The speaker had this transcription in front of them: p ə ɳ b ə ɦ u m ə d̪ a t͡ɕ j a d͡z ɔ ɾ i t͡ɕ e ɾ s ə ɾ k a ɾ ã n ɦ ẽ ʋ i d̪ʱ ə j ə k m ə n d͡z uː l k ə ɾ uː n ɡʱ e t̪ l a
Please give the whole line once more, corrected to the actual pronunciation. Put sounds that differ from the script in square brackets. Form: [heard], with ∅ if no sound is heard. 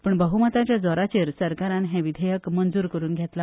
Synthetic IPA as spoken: p ə ɳ b ə ɦ u m ə [t̪] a t͡ɕ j a d͡z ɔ ɾ [a] t͡ɕ e ɾ s ə ɾ k a ɾ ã n ɦ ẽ ʋ i d̪ʱ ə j ə k m ə n d͡z uː [ɾ] k ə ɾ uː n ɡʱ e t̪ l a